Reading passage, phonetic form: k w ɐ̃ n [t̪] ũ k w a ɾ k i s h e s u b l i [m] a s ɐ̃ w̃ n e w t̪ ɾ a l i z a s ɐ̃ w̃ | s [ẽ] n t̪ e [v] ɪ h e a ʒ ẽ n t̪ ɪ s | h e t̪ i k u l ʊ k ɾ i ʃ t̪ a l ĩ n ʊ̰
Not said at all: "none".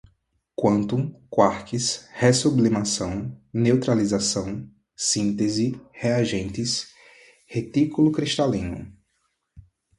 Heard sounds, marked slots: t̪, m, ĩ, z

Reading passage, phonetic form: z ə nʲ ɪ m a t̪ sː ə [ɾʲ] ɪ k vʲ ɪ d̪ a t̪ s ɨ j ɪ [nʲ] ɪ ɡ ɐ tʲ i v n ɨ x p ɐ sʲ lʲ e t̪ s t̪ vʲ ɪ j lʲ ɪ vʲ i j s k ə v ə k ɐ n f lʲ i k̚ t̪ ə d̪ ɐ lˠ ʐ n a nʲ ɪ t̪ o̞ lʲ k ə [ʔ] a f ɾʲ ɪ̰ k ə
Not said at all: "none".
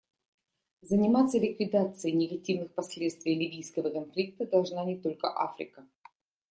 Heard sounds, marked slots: lʲ, nʲ, ʔ

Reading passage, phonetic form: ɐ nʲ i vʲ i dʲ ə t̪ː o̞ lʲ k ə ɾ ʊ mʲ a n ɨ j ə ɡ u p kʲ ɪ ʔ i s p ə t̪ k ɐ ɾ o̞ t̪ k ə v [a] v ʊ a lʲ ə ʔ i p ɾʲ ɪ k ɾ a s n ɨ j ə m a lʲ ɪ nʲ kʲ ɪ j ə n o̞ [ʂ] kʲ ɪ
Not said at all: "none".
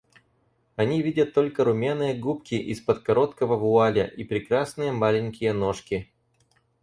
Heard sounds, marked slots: ə, ʂ

